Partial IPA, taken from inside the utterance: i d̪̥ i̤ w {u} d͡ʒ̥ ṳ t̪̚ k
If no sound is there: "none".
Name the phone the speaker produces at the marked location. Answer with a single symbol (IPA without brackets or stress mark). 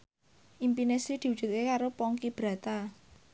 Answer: u